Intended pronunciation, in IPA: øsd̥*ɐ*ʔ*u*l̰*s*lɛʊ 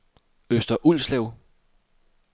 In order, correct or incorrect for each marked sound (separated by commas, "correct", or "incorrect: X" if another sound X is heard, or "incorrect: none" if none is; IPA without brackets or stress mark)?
correct, correct, correct